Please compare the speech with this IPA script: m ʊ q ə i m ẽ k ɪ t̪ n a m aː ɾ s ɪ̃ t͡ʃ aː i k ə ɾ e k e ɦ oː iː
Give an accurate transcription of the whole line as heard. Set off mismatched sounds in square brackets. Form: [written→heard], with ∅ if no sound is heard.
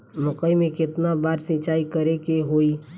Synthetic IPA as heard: m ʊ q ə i m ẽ k ɪ t̪ n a [m→b] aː ɾ s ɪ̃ t͡ʃ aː i k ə ɾ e k e ɦ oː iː